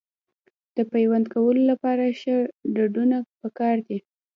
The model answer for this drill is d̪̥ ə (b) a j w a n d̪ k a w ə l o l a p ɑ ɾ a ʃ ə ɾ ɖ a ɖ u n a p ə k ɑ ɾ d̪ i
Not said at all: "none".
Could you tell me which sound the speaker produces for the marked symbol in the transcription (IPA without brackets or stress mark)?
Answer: p